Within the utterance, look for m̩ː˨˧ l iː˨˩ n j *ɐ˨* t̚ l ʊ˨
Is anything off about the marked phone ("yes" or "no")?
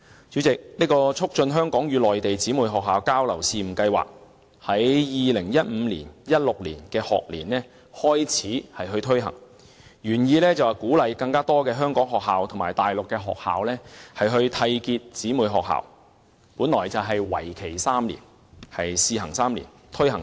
yes